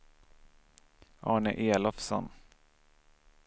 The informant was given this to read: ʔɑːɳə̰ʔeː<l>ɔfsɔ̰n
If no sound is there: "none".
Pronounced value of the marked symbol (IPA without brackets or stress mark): l